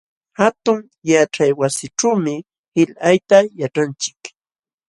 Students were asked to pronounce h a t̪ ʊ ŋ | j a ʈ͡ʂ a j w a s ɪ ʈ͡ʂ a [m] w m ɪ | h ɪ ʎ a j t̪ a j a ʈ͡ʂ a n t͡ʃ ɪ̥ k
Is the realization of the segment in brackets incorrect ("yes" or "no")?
yes